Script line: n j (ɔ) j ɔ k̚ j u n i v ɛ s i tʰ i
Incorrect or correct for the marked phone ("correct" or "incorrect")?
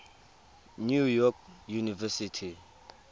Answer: incorrect